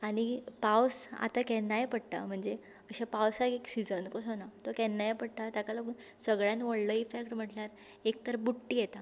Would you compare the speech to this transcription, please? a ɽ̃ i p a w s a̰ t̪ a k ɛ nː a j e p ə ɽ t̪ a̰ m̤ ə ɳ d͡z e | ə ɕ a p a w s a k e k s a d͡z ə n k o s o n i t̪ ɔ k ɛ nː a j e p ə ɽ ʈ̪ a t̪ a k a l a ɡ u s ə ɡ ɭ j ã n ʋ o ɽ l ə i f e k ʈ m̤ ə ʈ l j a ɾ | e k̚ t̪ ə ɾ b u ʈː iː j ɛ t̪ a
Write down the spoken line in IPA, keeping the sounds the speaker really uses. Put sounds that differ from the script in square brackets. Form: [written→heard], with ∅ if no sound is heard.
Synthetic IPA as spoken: a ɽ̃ i p a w s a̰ t̪ a k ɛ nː a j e p ə ɽ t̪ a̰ m̤ ə ɳ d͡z e | ə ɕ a p a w s a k e k s [a→i] d͡z ə n k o s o n [i→a] t̪ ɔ k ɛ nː a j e p ə ɽ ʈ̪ a t̪ a k a l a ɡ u s ə ɡ ɭ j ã n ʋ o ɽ l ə i f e k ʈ m̤ ə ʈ l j a ɾ | e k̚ t̪ ə ɾ b u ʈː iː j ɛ t̪ a